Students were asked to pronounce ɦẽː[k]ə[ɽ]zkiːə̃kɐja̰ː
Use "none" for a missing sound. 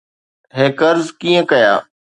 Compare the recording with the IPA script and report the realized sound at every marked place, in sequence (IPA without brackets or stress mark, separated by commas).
k, ɾ